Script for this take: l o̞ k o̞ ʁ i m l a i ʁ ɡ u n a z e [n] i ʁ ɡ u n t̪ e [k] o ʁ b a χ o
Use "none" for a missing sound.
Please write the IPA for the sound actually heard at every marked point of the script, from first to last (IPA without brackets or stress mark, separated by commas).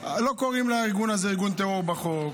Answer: none, none